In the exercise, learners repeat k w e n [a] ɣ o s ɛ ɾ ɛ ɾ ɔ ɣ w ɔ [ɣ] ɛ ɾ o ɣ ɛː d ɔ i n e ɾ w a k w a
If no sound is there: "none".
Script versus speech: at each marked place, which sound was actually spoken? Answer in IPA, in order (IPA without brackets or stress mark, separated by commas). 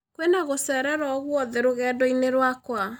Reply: a, ð